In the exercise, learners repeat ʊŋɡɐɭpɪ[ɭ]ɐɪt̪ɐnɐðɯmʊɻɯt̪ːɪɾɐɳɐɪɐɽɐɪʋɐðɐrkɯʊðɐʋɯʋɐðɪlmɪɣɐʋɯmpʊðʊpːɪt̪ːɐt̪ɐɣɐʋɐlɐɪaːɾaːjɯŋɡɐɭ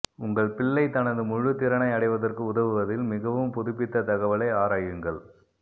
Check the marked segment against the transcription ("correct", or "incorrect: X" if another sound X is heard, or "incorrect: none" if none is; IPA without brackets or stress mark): incorrect: ɭː